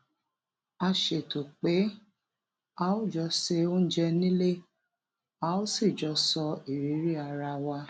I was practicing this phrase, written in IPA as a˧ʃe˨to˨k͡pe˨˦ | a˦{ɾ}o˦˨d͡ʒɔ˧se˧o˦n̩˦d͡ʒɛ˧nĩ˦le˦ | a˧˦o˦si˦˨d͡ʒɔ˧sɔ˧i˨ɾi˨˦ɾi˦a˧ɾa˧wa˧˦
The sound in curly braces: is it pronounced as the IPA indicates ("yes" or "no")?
no